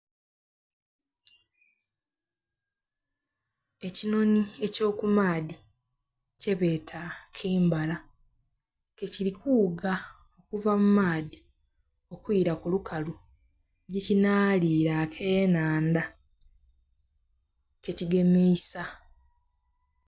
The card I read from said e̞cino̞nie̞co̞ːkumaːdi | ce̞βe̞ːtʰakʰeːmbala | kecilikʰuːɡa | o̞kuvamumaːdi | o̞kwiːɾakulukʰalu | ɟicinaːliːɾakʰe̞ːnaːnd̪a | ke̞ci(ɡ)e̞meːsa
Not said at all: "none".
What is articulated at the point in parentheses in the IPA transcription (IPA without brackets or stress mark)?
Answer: ɡ